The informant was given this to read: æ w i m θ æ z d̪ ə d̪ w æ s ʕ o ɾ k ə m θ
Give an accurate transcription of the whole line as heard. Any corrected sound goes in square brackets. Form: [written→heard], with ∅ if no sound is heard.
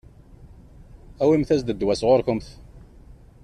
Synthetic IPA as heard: æ w i m θ æ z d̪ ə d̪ w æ s [ʕ→ʁ] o ɾ k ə m θ